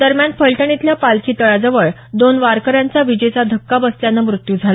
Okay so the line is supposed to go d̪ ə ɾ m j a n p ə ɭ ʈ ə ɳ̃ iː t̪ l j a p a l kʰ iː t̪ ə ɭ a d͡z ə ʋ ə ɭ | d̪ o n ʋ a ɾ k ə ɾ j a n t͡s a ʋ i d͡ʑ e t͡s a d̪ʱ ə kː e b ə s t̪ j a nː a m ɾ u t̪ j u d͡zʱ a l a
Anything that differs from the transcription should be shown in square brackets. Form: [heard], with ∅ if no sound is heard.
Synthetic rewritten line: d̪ ə ɾ m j a n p ə ɭ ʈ ə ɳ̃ [i] t̪ l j a p a l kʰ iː t̪ ə ɭ a d͡z ə ʋ ə ɭ | d̪ o n ʋ a ɾ k ə ɾ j a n t͡s a ʋ i d͡ʑ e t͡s a d̪ʱ ə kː [a] b ə s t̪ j a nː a m ɾ u t̪ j u d͡zʱ a l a